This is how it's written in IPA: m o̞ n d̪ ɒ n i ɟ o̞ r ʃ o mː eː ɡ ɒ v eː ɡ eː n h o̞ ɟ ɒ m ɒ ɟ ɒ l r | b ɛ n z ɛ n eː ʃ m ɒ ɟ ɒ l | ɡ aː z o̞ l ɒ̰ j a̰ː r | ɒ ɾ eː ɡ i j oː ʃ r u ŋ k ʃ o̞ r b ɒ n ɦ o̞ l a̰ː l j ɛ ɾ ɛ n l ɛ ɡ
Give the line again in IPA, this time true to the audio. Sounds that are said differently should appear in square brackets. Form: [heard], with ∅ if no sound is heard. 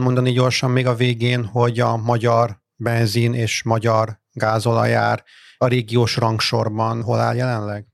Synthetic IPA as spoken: m o̞ n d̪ ɒ n i ɟ o̞ r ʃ [ɒ] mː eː ɡ ɒ v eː ɡ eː n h o̞ ɟ ɒ m ɒ ɟ ɒ [∅] r | b ɛ n z [i] n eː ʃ m ɒ ɟ ɒ [r] | ɡ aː z o̞ l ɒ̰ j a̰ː r | ɒ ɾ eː ɡ i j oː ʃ r [ɒ] ŋ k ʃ o̞ r b ɒ n ɦ o̞ l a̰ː l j ɛ [l] ɛ n l ɛ ɡ